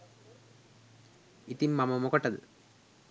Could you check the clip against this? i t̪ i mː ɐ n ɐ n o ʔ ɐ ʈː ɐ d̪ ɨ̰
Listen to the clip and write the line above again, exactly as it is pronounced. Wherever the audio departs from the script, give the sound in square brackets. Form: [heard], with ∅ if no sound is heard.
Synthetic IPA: i t̪ i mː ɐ [m] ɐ [m] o [k] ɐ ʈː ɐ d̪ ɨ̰